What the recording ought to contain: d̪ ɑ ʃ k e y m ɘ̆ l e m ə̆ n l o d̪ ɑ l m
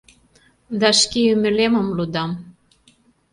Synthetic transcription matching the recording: d̪ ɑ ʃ k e y m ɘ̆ l e m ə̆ m l u d̪ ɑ m